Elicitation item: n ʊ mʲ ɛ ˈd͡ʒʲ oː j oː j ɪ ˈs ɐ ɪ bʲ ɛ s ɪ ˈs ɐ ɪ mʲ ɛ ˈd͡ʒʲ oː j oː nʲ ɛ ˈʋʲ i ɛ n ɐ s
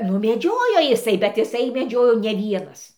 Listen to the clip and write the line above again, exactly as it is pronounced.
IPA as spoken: n ʊ mʲ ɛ ˈd͡ʒʲ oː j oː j ɪ ˈs ɐ ɪ bʲ ɛ t ɪ ˈs ɐ ɪ mʲ ɛ ˈd͡ʒʲ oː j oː nʲ ɛ ˈʋʲ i ɛ n ɐ s